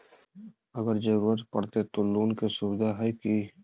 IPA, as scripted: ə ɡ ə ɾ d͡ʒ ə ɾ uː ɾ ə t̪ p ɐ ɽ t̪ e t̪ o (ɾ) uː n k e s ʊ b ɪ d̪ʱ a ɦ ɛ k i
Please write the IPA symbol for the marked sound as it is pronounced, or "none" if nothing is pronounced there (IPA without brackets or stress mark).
l